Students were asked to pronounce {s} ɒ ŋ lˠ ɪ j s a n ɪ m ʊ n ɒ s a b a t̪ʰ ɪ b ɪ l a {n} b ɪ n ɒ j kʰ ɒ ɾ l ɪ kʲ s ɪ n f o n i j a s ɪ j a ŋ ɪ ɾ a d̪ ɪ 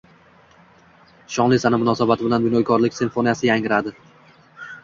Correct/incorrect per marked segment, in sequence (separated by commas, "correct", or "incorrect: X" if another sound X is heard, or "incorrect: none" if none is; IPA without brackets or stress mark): incorrect: ʃ, correct